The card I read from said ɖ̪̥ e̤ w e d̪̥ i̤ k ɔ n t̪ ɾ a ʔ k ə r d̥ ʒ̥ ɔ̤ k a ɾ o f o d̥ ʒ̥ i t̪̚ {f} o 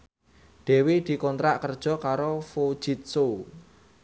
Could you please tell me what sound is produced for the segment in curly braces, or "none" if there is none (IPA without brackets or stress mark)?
s